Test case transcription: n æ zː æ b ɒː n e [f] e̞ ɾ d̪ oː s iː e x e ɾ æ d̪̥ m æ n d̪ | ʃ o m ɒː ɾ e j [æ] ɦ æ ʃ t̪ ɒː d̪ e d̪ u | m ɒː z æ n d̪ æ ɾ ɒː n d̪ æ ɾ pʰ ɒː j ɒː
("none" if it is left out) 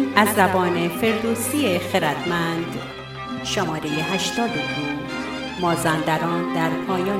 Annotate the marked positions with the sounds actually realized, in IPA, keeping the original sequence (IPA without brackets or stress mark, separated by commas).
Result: f, e